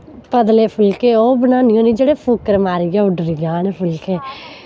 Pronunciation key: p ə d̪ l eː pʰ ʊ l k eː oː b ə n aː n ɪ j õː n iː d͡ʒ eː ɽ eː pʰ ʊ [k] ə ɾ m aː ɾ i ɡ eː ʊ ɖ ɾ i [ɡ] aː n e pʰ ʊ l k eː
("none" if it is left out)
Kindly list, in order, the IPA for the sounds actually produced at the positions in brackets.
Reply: k, ɡ

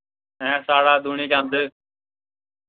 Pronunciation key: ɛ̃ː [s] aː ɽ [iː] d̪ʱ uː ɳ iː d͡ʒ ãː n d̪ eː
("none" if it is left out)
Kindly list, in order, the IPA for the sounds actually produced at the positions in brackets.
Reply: s, aː

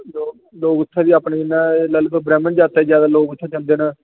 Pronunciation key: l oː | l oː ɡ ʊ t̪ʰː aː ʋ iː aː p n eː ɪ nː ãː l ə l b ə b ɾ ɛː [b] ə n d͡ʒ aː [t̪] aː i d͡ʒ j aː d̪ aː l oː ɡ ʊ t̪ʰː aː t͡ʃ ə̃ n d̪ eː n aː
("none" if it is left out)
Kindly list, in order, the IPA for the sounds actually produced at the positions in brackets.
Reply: m, t̪

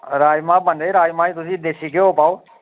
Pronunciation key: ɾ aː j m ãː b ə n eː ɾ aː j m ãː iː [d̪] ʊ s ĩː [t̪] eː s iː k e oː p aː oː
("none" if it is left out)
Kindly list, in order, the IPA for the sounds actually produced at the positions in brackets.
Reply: t̪, d̪

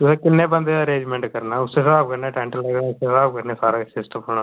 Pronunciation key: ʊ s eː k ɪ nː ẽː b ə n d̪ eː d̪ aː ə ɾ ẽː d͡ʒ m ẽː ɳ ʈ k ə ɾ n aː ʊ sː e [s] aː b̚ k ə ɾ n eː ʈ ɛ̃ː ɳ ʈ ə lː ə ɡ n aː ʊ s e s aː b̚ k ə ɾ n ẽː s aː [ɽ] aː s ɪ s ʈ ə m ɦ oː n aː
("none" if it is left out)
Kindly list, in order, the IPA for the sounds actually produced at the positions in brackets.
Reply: s, ɾ

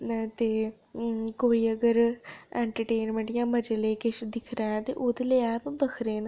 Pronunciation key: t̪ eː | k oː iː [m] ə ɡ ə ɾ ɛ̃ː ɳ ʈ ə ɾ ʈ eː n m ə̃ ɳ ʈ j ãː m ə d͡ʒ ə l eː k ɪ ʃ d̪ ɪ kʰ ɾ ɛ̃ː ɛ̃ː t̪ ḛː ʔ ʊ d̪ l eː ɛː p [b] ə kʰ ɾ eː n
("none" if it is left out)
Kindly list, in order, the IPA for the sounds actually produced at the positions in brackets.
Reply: none, b

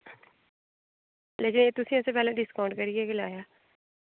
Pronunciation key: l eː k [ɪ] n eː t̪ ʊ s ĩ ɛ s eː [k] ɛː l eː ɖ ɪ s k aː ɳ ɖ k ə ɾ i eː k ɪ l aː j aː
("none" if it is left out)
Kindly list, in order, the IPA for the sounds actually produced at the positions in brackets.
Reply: ɪ, p

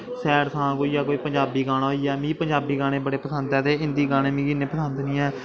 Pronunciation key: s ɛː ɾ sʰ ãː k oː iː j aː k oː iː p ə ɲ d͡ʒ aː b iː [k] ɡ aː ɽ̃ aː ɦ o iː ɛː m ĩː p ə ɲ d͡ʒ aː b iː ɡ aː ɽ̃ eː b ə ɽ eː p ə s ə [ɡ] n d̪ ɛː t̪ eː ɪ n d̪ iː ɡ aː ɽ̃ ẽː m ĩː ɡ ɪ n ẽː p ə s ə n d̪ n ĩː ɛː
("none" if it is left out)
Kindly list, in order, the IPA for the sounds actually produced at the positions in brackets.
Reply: none, none

